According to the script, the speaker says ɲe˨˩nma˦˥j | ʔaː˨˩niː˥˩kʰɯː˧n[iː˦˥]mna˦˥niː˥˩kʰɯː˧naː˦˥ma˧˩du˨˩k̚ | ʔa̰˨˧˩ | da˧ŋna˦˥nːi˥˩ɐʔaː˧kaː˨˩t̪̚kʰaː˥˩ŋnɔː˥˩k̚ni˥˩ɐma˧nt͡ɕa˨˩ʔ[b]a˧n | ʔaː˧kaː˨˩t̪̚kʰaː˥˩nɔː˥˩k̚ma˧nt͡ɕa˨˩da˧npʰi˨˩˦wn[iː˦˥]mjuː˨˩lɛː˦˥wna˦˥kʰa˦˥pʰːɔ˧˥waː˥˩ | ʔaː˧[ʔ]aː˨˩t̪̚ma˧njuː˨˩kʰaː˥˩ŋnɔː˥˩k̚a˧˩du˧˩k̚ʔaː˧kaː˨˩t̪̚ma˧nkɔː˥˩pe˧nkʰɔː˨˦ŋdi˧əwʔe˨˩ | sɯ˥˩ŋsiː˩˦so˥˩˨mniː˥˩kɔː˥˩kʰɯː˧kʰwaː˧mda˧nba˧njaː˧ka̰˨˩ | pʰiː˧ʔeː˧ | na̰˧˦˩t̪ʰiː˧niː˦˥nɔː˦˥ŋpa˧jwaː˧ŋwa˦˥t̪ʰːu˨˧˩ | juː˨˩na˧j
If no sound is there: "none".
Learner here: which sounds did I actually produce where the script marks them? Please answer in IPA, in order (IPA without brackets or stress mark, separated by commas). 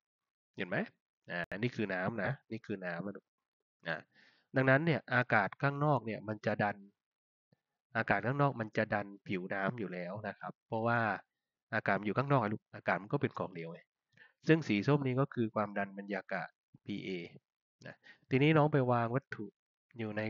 aː˦˥, d, aː˦˥, k